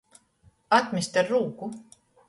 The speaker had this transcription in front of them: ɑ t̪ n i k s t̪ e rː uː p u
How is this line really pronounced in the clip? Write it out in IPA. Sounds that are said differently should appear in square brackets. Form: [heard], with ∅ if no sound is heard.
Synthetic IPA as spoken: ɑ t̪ [m] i [∅] s t̪ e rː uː [k] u